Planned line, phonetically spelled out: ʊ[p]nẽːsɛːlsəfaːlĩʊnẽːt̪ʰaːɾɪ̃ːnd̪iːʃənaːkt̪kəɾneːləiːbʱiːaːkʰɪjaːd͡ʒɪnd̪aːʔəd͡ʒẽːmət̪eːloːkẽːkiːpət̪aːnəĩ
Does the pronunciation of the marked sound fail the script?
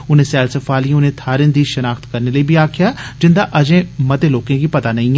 yes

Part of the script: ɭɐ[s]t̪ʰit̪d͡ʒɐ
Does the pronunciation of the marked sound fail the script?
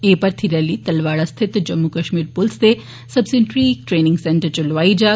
no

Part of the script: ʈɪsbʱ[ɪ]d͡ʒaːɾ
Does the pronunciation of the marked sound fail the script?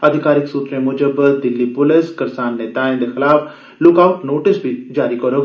yes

